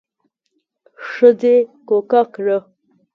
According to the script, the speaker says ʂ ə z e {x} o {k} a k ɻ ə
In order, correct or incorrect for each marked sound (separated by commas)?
incorrect, correct